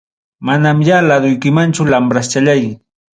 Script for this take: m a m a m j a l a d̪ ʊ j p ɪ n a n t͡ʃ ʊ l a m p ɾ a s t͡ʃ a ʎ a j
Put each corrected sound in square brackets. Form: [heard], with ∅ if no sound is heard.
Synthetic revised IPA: m a [n] a m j a l a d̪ ʊ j [k] ɪ [m] a n t͡ʃ ʊ l a m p ɾ a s t͡ʃ a ʎ a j

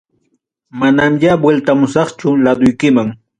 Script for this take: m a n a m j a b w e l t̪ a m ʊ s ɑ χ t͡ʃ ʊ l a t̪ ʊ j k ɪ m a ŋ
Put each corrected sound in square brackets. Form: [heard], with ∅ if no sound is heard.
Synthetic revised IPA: m a n a m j a b w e l t̪ a m ʊ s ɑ χ t͡ʃ ʊ l a [d̪] ʊ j k ɪ m a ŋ

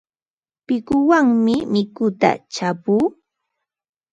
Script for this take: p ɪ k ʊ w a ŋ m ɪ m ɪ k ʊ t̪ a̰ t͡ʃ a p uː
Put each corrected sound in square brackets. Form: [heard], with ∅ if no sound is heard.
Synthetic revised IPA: p ɪ k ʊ w a ŋ m ɪ m ɪ k ʊ t̪ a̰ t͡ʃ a p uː

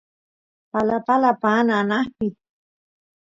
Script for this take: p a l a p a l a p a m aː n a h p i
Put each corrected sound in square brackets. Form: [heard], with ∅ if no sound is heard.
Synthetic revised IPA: p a l a p a l a p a [n] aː n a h p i

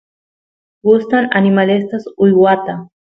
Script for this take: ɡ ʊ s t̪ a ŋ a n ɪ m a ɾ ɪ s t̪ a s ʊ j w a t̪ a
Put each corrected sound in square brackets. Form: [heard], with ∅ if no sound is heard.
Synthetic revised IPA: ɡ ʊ s t̪ a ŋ a n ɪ m a [l] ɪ s t̪ a s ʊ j w a t̪ a

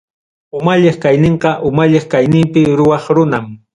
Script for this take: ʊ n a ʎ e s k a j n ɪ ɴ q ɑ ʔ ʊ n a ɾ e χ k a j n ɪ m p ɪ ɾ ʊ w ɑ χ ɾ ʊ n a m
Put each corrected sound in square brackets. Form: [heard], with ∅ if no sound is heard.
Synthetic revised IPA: ʊ [m] a ʎ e [χ] k a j n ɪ ɴ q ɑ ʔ ʊ [m] a [ʎ] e χ k a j n ɪ m p ɪ ɾ ʊ w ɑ χ ɾ ʊ n a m

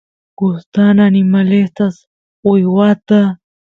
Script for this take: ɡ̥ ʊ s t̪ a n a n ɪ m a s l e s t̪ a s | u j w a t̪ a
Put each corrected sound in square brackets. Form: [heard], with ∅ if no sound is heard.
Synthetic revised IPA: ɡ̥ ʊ s t̪ a n a n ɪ m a [∅] l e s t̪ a s | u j w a t̪ a

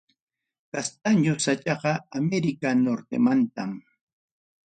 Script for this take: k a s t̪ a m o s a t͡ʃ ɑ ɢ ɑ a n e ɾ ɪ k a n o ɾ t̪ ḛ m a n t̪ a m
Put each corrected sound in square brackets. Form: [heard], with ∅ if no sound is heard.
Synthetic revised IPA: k a s t̪ a [ɲ] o s a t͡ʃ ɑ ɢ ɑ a [m] e ɾ ɪ k a n o ɾ t̪ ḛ m a n t̪ a m

